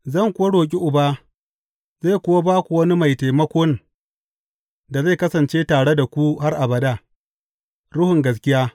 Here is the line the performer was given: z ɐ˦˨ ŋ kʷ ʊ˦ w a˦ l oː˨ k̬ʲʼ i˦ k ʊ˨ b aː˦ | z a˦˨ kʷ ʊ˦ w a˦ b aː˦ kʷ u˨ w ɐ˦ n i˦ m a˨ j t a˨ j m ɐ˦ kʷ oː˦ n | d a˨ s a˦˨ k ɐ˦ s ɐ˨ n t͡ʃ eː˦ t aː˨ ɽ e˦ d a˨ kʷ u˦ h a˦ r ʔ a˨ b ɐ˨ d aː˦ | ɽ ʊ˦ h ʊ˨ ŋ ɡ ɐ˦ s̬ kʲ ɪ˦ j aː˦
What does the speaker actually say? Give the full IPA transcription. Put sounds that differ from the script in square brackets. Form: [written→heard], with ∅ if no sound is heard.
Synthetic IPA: z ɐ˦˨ ŋ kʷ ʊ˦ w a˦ [l→ɽ] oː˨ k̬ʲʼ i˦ [k→ʔ] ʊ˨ b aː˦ | z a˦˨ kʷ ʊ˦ w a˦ b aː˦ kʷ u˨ w ɐ˦ n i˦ m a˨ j t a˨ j m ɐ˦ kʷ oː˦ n | d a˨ [s→z] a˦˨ k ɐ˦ s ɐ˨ n t͡ʃ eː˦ t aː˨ ɽ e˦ d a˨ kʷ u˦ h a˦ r ʔ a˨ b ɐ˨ d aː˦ | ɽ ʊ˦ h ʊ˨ ŋ ɡ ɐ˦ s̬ kʲ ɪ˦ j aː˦